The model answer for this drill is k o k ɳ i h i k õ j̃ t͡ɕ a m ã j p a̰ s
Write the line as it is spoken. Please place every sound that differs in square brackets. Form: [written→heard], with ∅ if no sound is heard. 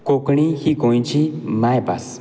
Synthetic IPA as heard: k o k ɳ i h i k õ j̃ t͡ɕ [a→i] m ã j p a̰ s

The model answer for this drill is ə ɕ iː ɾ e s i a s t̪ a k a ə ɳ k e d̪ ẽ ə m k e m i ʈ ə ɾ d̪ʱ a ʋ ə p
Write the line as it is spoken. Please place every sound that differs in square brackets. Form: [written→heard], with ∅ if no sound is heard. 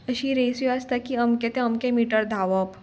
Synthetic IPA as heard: ə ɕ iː ɾ e s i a s t̪ a k [a→i] ə [ɳ→m] k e [d̪→t̪] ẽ ə m k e m i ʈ ə ɾ d̪ʱ a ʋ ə p

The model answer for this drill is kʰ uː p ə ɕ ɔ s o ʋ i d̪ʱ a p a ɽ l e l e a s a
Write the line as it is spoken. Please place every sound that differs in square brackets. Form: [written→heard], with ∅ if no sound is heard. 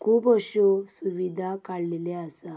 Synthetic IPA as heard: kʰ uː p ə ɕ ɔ s [o→u] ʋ i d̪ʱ a [p→k] a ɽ l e l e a s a

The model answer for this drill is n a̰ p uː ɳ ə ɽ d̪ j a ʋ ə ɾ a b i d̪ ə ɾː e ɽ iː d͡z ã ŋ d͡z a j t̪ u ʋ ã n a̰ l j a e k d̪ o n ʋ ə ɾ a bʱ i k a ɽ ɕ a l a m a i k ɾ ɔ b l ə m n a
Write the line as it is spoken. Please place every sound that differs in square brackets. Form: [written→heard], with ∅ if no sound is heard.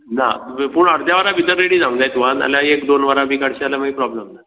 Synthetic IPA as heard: n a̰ p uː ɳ ə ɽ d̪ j a ʋ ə ɾ a b i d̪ ə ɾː e ɽ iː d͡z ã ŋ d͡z a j t̪ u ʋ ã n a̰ l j a e k d̪ o n ʋ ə ɾ a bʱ i k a ɽ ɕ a l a m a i [k→p] ɾ ɔ b l ə m n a

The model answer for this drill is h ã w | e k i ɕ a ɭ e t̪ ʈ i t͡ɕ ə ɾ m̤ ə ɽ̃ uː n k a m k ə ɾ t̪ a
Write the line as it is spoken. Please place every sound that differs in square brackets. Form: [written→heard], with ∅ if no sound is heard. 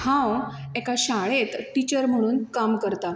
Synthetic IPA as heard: h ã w | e k [i→a] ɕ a ɭ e t̪ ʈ i t͡ɕ ə ɾ m̤ ə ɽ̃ uː n k a m k ə ɾ t̪ a

